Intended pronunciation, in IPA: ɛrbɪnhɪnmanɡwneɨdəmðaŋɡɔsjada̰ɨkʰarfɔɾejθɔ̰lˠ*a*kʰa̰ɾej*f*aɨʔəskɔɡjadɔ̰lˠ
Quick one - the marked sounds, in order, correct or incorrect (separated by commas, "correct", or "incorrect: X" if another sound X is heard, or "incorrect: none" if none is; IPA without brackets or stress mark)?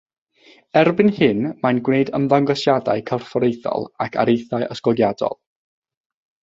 correct, incorrect: θ